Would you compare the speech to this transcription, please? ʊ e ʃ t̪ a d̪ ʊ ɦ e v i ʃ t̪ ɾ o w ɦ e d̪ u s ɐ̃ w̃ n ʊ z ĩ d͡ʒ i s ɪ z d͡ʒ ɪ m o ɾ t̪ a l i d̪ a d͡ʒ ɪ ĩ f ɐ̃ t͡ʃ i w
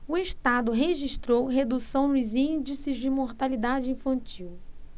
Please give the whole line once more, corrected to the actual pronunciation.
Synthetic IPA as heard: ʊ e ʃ t̪ a d̪ ʊ ɦ e ʒ i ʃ t̪ ɾ o w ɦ e d̪ u s ɐ̃ w̃ n ʊ z ĩ d͡ʒ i s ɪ z d͡ʒ ɪ m o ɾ t̪ a l i d̪ a d͡ʒ ɪ ĩ f ɐ̃ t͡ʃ i w